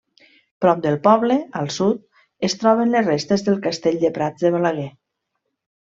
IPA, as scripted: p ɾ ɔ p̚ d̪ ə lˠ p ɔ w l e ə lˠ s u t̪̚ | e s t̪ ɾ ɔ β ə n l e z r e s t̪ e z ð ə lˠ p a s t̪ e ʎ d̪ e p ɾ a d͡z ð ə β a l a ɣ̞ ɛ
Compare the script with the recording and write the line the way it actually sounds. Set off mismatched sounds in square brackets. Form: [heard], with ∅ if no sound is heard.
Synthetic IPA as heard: p ɾ ɔ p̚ d̪ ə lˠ p ɔ [β] l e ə lˠ s u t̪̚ | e s t̪ ɾ ɔ β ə n l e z r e s t̪ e z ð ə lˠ [k] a s t̪ e ʎ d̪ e p ɾ a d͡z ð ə β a l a ɣ̞ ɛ